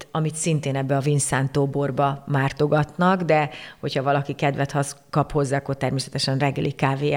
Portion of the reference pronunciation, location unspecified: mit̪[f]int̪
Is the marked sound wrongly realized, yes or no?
yes